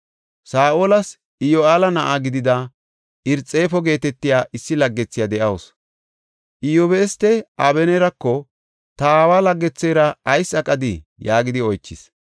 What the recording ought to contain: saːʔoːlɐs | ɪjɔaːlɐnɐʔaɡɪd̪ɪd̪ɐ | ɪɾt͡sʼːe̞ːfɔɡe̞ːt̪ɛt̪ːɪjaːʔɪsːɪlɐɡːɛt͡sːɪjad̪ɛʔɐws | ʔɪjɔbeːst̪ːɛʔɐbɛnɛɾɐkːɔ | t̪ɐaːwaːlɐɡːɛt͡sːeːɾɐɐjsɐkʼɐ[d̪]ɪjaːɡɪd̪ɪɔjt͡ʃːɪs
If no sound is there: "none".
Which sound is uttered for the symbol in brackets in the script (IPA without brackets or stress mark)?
d̪